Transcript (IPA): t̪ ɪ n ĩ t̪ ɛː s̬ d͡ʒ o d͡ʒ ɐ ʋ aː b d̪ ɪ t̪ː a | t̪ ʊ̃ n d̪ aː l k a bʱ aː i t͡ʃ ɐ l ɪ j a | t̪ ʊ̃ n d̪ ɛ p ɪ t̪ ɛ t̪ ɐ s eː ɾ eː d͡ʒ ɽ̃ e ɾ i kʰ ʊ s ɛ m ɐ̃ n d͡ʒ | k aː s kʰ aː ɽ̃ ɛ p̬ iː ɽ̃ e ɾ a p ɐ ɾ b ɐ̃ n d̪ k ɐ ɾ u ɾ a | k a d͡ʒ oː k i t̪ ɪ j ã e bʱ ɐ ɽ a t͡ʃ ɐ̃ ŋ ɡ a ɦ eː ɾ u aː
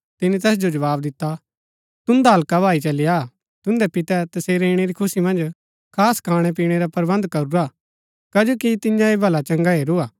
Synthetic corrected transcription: t̪ ɪ n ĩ t̪ ɛː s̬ d͡ʒ o d͡ʒ ɐ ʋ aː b d̪ ɪ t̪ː a | t̪ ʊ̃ n d̪ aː l k a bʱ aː i t͡ʃ ɐ l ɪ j a | t̪ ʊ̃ n d̪ ɛ p ɪ t̪ ɛ t̪ ɐ s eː ɾ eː ɽ̃ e ɾ i kʰ ʊ s i m ɐ̃ n d͡ʒ | kʰ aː s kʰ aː ɽ̃ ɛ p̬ iː ɽ̃ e ɾ a p ɐ ɾ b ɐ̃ n d̪ k ɐ ɾ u ɾ a | k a d͡ʒ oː k i t̪ ɪ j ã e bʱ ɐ l a t͡ʃ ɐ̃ ŋ ɡ a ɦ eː ɾ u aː